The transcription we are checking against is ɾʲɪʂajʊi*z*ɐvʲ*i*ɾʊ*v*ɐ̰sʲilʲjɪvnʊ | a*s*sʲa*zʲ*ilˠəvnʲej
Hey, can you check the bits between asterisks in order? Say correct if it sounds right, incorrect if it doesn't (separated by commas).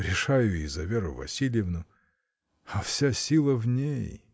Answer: correct, incorrect, correct, incorrect, incorrect